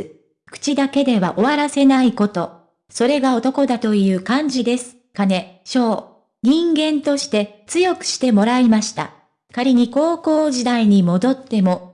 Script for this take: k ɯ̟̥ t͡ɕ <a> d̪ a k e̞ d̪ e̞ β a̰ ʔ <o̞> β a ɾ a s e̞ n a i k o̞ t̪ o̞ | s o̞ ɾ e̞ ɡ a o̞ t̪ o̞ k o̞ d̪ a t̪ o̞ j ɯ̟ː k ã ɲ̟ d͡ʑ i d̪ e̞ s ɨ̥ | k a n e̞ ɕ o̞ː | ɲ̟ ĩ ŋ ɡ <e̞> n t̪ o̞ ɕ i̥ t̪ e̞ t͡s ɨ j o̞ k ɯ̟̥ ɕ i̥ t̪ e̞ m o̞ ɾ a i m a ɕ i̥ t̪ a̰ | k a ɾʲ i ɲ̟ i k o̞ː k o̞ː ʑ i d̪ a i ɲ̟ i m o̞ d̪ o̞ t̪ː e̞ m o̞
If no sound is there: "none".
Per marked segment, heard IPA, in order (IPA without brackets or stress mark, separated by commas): i, o̞, ẽ̞